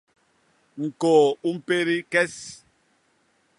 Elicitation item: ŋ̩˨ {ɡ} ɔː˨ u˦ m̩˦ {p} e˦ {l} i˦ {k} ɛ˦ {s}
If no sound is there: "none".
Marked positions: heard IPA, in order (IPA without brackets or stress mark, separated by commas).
k, p, ɾ, k, s